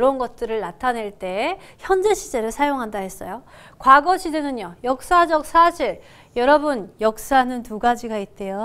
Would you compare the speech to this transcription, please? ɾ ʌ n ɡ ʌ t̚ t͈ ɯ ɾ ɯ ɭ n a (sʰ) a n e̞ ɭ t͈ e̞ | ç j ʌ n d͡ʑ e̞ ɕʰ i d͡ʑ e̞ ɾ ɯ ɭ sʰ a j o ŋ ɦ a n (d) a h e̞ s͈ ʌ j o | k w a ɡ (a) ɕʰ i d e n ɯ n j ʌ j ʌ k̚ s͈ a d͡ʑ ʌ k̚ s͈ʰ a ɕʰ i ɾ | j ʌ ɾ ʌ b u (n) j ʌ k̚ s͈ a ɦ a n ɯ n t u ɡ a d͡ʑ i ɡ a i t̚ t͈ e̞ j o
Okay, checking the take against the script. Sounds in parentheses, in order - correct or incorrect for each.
incorrect, correct, incorrect, correct

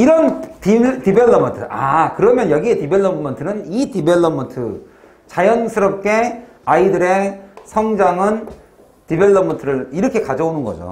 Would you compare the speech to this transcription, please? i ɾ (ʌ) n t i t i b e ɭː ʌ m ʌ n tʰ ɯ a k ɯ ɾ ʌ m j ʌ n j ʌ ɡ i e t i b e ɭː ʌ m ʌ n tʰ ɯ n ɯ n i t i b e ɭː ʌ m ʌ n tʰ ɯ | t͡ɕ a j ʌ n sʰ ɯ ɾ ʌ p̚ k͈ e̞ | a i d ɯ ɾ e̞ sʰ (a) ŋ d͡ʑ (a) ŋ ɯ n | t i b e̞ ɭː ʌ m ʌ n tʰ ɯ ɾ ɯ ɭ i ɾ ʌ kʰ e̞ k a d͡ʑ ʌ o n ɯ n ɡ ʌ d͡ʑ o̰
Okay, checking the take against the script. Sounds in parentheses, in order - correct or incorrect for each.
correct, incorrect, correct

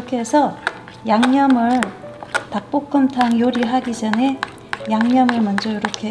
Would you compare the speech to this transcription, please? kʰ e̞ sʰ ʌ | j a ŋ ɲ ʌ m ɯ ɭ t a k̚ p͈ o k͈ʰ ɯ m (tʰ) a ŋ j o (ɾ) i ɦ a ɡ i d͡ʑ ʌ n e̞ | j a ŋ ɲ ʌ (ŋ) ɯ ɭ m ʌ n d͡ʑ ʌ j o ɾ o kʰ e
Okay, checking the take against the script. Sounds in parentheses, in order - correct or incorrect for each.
correct, correct, incorrect

